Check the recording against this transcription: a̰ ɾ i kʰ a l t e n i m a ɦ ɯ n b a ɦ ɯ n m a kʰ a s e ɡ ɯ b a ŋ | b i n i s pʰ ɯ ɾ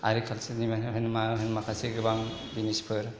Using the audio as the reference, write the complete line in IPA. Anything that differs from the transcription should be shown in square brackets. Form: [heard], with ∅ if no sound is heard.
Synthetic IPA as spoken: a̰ ɾ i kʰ a l [s] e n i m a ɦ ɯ n [m] a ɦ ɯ n m a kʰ a s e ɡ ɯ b a ŋ | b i n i s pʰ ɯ ɾ